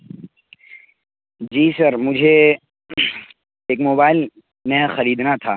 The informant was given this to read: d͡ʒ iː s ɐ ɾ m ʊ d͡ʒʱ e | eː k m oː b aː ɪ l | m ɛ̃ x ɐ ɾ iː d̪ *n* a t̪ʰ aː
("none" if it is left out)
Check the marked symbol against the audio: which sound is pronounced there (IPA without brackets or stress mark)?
n